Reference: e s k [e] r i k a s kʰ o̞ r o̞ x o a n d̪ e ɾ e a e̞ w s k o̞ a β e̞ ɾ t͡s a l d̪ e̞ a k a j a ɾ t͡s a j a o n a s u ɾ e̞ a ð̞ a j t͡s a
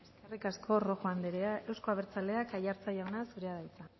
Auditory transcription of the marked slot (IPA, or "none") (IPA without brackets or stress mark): e